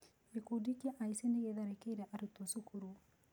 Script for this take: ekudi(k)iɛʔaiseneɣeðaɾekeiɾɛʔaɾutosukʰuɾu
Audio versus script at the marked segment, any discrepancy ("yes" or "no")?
no